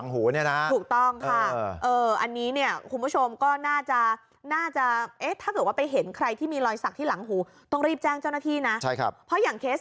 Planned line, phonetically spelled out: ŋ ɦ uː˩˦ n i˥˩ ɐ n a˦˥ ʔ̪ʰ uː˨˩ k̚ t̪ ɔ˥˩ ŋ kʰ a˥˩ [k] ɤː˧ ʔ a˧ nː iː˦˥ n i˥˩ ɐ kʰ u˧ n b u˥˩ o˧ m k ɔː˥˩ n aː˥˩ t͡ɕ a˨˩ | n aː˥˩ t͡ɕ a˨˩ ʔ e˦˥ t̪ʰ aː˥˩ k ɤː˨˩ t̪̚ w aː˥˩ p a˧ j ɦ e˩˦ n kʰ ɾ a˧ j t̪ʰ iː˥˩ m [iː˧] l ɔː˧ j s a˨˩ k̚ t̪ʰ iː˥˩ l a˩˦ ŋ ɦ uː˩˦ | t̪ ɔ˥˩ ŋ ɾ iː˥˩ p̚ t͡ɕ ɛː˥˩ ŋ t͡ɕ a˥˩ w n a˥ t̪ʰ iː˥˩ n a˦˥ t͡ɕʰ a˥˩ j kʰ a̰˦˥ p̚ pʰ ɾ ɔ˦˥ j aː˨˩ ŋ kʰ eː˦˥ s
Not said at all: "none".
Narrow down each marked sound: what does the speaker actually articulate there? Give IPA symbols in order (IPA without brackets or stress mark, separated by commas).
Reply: ʔ, iː˧